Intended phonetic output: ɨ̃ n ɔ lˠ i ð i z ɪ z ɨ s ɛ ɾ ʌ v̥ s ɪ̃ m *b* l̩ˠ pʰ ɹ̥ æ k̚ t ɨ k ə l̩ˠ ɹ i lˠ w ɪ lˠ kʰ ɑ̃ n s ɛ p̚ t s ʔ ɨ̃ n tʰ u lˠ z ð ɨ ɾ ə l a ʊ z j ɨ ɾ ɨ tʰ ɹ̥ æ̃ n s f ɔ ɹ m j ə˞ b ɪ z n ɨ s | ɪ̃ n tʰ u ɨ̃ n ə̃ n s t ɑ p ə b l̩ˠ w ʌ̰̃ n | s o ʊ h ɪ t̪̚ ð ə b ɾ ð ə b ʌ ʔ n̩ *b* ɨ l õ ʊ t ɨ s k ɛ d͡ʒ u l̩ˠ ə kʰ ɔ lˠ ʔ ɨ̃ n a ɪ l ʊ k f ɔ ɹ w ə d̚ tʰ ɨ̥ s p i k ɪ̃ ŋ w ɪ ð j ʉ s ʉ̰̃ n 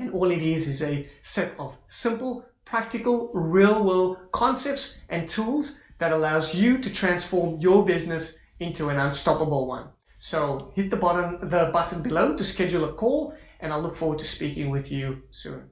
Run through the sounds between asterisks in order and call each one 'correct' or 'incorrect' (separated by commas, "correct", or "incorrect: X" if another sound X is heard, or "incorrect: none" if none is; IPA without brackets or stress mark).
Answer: incorrect: p, correct